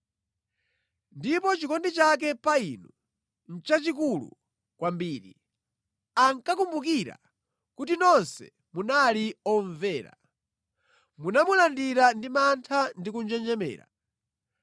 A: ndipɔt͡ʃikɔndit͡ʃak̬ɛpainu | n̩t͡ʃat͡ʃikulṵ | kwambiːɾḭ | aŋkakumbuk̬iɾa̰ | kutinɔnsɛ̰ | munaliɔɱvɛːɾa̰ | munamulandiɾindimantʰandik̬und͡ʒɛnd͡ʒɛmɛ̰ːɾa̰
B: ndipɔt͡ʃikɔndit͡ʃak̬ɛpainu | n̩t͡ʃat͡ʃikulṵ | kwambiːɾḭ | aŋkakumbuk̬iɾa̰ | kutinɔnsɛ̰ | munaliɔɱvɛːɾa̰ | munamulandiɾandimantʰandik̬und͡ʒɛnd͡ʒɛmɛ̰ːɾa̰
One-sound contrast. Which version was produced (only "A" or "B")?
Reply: B